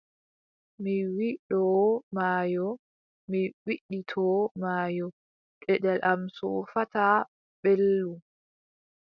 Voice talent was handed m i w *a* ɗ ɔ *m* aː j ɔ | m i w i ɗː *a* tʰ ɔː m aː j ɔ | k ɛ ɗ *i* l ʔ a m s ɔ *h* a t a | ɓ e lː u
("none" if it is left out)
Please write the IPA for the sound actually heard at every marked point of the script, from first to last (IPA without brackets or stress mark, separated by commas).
i, m, i, ɛ, f